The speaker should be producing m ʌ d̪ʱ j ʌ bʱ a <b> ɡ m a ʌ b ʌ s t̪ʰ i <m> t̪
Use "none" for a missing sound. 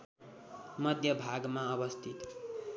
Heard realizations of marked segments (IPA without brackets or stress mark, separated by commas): none, none